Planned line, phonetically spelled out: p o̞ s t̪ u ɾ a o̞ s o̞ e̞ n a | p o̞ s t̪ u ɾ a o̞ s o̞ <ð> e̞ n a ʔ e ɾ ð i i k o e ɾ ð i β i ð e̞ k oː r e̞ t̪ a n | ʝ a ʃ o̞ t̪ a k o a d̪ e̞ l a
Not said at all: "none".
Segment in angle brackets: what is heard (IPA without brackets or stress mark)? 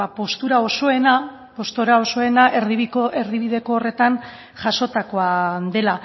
none